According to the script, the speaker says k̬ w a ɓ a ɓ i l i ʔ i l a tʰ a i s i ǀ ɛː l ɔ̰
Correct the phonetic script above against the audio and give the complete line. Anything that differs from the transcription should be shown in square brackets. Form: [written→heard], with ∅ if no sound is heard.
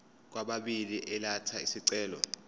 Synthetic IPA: k̬ w a ɓ a ɓ i l i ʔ [i→ɛ] l a tʰ a i s i ǀ ɛː l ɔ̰